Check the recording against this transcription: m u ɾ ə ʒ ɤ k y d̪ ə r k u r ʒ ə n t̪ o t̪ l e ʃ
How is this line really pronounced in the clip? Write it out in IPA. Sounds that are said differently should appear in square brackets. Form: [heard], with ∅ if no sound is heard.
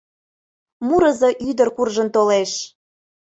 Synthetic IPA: m u ɾ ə [z] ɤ [ʔ] y d̪ ə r k u r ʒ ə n t̪ o [∅] l e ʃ

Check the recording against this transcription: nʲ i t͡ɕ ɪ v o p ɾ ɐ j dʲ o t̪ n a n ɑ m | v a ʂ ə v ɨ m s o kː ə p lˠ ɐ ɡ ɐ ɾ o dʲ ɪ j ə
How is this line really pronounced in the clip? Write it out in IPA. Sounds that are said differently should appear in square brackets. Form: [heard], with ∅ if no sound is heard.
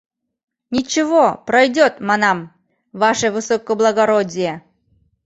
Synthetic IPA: nʲ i t͡ɕ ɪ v o p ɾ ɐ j dʲ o t̪ [m] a n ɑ m | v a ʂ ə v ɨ [∅] s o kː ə [b] lˠ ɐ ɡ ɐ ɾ o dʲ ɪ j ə

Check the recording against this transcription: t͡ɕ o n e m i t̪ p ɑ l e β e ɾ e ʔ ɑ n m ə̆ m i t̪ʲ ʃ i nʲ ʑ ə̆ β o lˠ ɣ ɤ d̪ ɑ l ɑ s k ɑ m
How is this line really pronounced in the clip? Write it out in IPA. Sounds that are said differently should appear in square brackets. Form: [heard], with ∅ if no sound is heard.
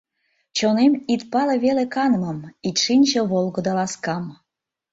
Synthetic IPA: t͡ɕ o n e m i t̪ p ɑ l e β e [l] e [k] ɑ n m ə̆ m i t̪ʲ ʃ i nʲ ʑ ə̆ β o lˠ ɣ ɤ d̪ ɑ l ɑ s k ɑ m

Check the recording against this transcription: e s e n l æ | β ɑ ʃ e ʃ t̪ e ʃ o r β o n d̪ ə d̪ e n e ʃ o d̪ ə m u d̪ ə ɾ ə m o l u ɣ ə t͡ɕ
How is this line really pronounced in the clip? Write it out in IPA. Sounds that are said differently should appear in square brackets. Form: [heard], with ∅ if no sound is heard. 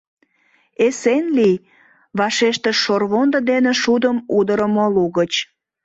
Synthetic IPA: e s e n l [i] | β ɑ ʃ e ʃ t̪ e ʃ o r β o n d̪ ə d̪ e n e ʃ [u] d̪ ə m u d̪ ə ɾ ə m o l u ɣ ə t͡ɕ

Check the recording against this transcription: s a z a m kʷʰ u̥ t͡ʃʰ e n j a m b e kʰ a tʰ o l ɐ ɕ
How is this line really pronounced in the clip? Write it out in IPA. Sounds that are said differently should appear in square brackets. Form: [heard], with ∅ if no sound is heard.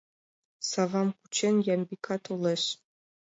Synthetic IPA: s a [v] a m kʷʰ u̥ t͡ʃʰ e n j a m b [i] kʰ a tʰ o l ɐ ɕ

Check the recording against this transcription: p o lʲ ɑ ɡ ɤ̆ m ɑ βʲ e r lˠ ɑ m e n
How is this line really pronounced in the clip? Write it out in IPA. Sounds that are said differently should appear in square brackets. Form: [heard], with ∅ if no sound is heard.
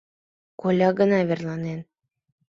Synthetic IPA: [k] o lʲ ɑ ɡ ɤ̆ [n] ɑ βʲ e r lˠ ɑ [n] e n

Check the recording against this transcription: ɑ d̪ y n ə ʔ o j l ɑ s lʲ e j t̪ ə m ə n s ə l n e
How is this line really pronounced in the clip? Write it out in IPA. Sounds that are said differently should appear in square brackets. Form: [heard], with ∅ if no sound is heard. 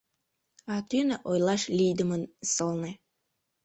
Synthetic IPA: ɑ [t̪] y n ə ʔ o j l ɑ [ʃ] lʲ [i] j [d̪] ə m ə n s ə l n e

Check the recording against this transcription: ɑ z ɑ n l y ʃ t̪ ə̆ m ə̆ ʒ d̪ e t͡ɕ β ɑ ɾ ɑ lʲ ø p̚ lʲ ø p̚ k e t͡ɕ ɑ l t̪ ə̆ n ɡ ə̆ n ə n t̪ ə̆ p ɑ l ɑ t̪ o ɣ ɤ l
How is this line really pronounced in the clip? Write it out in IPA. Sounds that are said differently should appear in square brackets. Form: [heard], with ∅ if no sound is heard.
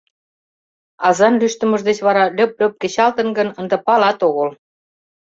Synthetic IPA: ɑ z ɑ n l y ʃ t̪ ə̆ m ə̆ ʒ d̪ e t͡ɕ β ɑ ɾ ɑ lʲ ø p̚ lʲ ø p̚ k e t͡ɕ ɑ l t̪ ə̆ n ɡ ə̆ n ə n [d̪] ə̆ p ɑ l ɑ t̪ o ɣ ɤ l

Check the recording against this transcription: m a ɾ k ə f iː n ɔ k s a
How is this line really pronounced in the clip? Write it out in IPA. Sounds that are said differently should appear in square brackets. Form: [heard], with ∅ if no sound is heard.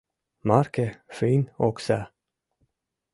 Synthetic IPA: m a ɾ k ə f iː n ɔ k s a

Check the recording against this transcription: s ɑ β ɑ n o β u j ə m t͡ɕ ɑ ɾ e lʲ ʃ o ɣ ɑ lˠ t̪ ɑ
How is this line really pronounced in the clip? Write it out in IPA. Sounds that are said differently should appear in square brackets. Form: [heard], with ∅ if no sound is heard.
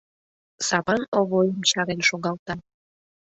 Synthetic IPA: s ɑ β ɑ n o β [o] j ə m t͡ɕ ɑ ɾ e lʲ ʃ o ɣ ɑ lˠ t̪ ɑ

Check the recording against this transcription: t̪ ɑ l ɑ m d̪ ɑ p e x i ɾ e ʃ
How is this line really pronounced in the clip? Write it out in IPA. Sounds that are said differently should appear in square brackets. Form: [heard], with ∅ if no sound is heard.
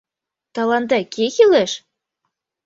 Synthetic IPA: t̪ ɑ l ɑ [n] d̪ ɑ [k] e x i [l] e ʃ

